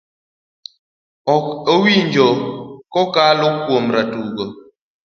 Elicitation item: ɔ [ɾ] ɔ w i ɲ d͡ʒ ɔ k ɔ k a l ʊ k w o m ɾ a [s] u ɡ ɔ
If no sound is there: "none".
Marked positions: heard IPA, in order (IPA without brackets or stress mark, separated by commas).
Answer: none, t